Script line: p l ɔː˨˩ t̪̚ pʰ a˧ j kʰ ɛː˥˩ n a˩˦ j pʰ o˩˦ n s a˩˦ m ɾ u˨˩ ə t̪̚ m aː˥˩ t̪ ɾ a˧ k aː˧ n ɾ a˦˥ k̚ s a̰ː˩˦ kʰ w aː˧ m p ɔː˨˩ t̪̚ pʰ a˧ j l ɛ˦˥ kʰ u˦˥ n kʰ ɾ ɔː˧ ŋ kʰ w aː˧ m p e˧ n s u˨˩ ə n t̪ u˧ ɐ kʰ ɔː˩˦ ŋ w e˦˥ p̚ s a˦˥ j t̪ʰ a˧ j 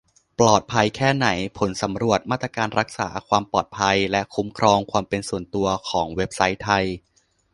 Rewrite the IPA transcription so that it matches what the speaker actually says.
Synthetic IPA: p l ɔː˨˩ t̪̚ pʰ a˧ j kʰ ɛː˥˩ n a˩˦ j pʰ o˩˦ n s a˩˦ m ɾ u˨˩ ə t̪̚ m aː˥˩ t̪ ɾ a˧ k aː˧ n ɾ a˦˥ k̚ s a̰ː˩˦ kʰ w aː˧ m p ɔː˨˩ t̪̚ pʰ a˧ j l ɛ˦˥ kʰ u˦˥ m kʰ ɾ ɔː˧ ŋ kʰ w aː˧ m p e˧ n s u˨˩ ə n t̪ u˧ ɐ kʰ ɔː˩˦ ŋ w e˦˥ p̚ s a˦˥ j t̪ʰ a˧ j